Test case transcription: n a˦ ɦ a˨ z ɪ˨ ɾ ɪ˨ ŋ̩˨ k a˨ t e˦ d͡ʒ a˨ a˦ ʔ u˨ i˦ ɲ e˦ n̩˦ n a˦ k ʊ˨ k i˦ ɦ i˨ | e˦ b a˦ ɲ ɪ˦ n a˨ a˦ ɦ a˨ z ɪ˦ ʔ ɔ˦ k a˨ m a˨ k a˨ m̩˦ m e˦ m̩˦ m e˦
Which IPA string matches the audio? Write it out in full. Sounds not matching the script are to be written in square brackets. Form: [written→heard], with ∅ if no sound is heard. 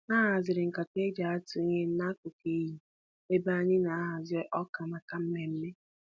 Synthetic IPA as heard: n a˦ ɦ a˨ z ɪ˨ ɾ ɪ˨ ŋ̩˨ k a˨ t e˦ d͡ʒ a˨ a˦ [ʔ→t] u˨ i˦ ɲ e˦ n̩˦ n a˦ k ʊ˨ k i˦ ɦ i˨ | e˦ b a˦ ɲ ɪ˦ n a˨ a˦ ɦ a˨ z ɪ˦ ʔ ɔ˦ k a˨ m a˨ k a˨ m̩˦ m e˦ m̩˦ m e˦

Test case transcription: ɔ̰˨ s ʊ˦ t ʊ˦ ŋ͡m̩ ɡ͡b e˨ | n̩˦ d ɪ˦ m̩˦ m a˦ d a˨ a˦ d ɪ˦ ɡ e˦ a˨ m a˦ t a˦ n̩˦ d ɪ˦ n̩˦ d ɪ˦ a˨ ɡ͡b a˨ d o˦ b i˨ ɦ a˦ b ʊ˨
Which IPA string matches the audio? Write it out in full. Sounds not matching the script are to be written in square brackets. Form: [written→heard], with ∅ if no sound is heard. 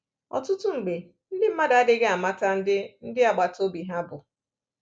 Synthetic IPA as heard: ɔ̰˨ [s→t] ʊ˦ t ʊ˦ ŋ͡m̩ ɡ͡b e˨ | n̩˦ d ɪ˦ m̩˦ m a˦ d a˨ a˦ d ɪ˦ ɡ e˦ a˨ m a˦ t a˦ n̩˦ d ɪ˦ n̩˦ d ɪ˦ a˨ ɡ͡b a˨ [d→t] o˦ b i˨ ɦ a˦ b ʊ˨

